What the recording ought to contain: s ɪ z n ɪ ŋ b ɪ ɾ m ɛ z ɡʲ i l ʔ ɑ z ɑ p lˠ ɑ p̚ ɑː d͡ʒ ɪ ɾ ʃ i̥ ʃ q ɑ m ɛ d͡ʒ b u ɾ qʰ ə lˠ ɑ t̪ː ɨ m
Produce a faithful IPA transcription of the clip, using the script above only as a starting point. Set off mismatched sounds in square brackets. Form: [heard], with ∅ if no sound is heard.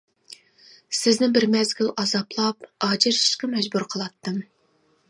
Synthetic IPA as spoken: s ɪ z n ɪ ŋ b ɪ ɾ m ɛ z ɡʲ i l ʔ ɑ z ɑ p lˠ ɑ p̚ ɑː d͡ʒ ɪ ɾ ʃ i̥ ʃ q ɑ m ɛ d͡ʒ b u ɾ qʰ ə lˠ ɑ t̪ː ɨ m